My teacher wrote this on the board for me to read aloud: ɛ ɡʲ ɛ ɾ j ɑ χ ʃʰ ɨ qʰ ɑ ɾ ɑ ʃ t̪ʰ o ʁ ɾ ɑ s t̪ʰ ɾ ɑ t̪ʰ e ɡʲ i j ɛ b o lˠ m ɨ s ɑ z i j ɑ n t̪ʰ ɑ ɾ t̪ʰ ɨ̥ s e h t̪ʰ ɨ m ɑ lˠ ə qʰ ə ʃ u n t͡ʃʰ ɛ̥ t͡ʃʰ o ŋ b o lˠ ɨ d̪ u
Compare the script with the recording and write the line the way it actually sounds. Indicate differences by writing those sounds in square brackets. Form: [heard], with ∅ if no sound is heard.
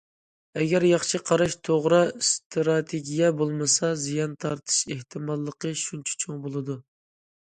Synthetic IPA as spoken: ɛ ɡʲ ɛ ɾ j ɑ χ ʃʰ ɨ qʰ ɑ ɾ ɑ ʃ t̪ʰ o ʁ ɾ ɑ s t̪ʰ ɾ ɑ t̪ʰ e ɡʲ i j ɛ b o lˠ m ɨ s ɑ z i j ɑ n t̪ʰ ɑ ɾ t̪ʰ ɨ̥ [ʃ] e h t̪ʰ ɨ m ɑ [lˠː] ə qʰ ə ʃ u n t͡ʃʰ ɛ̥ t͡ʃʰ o ŋ b o lˠ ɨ d̪ u